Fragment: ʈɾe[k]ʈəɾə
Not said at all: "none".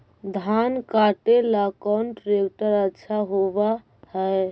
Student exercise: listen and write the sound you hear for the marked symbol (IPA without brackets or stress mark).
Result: k